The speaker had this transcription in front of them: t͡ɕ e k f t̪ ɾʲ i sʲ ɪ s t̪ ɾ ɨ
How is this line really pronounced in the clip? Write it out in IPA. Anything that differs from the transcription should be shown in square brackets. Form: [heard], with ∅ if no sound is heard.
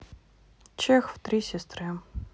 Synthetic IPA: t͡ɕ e [x] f t̪ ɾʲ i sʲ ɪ s t̪ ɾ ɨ